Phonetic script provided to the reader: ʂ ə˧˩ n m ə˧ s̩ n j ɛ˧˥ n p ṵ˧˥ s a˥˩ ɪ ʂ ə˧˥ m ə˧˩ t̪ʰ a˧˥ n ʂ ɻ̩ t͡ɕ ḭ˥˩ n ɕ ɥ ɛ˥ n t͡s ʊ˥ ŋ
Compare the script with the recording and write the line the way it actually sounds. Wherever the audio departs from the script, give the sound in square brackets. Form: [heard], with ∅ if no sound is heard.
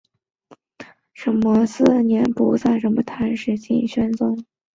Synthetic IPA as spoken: ʂ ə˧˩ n m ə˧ s̩ n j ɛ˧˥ n p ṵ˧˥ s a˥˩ ɪ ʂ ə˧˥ m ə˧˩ t̪ʰ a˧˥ n ʂ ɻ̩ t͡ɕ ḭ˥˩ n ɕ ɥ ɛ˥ n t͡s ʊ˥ ŋ